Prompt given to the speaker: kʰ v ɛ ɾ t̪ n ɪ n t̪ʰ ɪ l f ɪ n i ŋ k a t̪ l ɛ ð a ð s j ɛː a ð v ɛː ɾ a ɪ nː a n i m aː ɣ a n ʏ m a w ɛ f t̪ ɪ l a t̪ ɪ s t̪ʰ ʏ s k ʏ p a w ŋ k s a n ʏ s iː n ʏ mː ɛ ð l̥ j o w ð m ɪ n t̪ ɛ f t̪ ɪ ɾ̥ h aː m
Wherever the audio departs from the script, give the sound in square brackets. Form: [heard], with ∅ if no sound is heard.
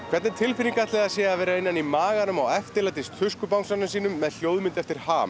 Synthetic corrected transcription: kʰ v ɛ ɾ t̪ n ɪ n t̪ʰ ɪ l f ɪ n i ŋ k a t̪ l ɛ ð a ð s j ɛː a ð v ɛː ɾ a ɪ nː a n i m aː ɣ a n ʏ m a w ɛ f t̪ ɪ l a t̪ ɪ s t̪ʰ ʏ s k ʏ p a w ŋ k s a n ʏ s iː n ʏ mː ɛ ð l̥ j o w ð m ɪ n t̪ ɛ f t̪ ɪ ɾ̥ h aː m